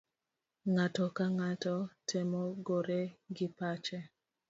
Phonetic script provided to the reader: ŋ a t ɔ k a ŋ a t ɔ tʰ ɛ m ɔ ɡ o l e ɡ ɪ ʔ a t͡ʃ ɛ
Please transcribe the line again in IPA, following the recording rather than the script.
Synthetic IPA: ŋ a t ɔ k a ŋ a t ɔ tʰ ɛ m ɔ ɡ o ɾ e ɡ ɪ p a t͡ʃ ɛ